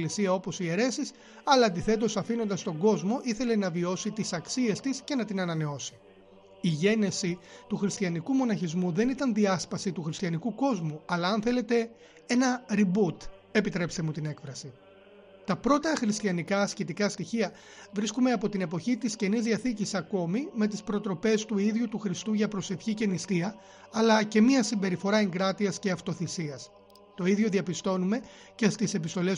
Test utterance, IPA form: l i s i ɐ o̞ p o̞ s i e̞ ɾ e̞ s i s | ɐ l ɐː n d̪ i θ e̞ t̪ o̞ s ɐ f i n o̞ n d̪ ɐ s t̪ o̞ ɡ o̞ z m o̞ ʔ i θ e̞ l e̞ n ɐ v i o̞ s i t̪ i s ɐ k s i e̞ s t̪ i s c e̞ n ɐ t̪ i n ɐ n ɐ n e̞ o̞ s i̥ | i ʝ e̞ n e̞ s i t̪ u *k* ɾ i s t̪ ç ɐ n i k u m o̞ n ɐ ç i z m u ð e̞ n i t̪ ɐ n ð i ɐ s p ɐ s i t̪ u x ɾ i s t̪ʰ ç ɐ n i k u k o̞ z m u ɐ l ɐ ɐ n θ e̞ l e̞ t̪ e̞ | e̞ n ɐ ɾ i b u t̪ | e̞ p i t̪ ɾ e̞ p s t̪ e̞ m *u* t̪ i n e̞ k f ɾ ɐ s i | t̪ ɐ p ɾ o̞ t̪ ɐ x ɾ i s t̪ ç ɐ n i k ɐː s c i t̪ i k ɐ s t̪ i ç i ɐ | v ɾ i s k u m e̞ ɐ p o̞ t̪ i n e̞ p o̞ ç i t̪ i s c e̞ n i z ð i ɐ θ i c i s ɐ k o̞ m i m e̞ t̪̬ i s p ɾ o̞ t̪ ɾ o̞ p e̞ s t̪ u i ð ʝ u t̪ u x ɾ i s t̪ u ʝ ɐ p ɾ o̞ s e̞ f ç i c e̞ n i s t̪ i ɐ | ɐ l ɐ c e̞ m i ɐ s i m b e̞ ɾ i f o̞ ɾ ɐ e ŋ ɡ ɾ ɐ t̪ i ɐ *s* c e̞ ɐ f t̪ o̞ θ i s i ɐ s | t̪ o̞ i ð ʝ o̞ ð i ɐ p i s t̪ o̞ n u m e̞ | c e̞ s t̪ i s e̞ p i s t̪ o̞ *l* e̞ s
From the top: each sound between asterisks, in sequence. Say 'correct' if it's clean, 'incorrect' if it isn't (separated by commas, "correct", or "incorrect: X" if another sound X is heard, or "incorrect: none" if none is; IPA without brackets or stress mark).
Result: incorrect: x, correct, correct, correct